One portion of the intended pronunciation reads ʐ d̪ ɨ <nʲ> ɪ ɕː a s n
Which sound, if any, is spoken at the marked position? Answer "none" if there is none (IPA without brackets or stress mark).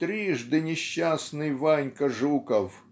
nʲ